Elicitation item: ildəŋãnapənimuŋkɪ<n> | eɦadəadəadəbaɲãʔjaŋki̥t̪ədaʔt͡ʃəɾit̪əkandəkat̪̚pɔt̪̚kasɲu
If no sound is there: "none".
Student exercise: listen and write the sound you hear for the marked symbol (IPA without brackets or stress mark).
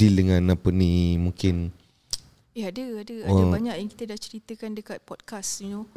n